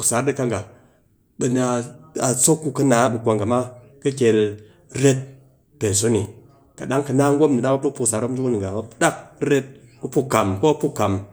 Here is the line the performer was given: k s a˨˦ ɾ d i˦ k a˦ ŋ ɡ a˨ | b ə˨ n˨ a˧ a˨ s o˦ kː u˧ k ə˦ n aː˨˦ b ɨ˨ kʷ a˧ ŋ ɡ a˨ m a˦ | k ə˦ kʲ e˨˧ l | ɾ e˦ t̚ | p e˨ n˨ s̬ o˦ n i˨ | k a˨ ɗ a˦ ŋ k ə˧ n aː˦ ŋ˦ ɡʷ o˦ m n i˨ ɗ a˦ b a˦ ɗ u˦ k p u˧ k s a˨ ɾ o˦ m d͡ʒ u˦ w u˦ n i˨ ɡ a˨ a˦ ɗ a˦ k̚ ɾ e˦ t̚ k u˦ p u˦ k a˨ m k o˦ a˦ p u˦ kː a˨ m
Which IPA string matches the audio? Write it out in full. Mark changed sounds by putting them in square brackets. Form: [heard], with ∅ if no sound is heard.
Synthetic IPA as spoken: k s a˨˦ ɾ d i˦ k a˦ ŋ ɡ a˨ | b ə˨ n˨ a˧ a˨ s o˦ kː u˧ k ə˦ n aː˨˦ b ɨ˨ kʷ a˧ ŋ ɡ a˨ m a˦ | k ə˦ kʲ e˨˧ l | ɾ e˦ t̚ | p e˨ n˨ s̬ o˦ n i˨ | k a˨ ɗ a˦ ŋ k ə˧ n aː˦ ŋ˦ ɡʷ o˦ m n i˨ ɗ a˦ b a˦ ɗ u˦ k p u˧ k s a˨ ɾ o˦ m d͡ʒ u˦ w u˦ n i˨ ɡ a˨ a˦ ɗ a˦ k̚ ɾ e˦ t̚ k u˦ p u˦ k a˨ m k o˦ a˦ p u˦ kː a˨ m